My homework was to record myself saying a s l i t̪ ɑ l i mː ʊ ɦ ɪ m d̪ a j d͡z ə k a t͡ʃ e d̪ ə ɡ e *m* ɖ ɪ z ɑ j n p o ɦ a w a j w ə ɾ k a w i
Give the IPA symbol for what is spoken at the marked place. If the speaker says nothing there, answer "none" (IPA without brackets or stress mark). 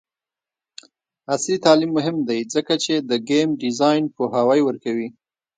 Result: m